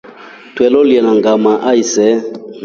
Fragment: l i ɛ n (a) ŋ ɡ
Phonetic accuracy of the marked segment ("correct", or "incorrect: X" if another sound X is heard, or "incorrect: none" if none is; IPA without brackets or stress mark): correct